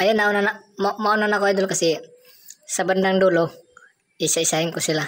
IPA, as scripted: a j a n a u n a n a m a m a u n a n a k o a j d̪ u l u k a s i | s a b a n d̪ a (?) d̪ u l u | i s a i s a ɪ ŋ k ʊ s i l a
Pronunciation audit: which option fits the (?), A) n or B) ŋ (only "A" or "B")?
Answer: B